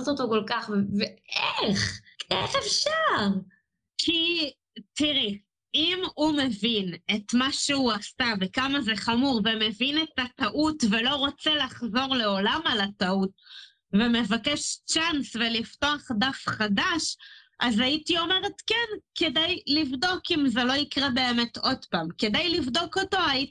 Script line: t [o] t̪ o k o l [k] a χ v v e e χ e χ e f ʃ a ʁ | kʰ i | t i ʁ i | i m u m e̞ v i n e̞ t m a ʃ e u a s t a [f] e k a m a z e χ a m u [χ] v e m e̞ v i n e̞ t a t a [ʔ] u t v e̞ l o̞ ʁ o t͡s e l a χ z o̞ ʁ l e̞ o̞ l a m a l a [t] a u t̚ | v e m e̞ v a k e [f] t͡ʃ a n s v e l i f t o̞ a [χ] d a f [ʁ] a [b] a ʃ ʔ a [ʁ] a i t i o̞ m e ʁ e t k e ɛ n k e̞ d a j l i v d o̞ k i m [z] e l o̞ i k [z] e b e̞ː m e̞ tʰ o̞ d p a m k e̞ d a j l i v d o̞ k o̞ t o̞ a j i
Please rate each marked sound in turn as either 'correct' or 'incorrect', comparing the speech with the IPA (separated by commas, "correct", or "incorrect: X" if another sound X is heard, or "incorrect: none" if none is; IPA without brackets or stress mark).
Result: correct, correct, incorrect: v, incorrect: ʁ, correct, correct, incorrect: ʃ, correct, incorrect: χ, incorrect: d, incorrect: z, correct, incorrect: ʁ